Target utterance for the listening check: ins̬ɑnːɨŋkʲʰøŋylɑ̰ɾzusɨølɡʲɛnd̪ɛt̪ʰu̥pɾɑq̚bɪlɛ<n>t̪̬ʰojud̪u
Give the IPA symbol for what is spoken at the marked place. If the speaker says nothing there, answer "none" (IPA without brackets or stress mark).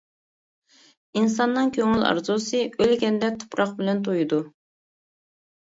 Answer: n